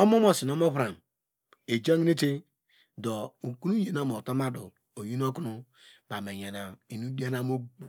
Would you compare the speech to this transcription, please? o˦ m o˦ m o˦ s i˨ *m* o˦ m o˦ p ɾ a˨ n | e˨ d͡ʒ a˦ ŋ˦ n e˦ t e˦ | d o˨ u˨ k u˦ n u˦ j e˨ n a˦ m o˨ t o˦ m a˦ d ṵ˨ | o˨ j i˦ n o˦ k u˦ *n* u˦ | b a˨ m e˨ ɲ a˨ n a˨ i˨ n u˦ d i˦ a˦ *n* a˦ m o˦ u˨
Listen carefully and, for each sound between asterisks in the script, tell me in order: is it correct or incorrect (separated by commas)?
incorrect, correct, correct